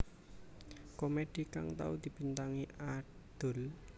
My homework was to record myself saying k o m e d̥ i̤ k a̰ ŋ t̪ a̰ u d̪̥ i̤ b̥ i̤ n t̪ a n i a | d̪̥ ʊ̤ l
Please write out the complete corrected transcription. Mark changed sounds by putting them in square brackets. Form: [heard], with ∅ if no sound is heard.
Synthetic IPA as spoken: k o m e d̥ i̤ k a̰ ŋ t̪ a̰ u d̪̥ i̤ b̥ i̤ n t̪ a [ŋ] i a | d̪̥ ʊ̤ l